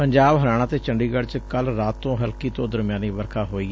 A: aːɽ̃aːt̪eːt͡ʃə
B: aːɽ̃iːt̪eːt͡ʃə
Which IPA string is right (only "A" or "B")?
A